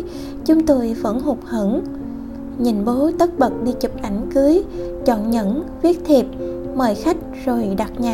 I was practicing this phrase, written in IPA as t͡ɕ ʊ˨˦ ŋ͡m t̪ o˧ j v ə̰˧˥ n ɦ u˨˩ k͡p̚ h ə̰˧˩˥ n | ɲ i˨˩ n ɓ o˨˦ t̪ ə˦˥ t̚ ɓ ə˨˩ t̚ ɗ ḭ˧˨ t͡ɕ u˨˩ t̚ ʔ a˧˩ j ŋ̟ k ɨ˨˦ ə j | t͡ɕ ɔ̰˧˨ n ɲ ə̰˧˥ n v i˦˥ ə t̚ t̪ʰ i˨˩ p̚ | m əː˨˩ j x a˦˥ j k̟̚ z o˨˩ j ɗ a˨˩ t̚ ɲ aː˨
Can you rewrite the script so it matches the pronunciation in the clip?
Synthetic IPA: t͡ɕ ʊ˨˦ ŋ͡m t̪ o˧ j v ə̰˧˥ n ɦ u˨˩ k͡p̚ h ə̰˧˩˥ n | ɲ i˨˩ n ɓ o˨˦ t̪ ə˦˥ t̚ ɓ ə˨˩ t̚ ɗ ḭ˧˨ t͡ɕ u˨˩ p̚ ʔ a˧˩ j ŋ̟ k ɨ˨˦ ə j | t͡ɕ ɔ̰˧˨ n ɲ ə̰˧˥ n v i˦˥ ə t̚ t̪ʰ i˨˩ p̚ | m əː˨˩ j x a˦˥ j k̟̚ z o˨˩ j ɗ a˨˩ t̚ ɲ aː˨